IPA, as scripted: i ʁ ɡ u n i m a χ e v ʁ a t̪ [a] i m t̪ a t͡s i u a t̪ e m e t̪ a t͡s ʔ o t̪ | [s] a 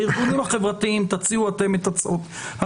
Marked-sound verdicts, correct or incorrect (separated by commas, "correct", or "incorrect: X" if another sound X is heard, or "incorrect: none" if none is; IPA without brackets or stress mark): incorrect: i, incorrect: h